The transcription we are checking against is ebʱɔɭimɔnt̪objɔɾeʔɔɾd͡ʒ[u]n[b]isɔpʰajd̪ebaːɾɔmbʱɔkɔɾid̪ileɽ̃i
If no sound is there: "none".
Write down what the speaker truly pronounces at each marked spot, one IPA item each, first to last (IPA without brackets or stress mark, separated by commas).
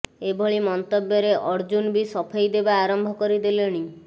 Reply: u, b